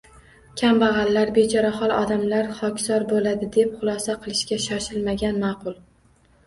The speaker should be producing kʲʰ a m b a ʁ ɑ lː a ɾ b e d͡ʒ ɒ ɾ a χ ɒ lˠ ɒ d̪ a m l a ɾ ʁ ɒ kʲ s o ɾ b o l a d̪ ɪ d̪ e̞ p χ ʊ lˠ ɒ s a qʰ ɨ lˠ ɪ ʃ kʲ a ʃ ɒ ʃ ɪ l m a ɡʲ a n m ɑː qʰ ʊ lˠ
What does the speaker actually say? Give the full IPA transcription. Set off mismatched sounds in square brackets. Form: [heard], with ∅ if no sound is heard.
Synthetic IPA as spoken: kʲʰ a m b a ʁ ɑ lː a ɾ b e d͡ʒ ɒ ɾ a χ ɒ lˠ ɒ d̪ a m l a ɾ [χ] ɒ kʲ s [ɒ] ɾ b o l a d̪ ɪ d̪ e̞ p χ ʊ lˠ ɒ s a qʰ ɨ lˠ ɪ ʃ kʲ a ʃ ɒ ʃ ɪ l m a ɡʲ a n m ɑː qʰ ʊ lˠ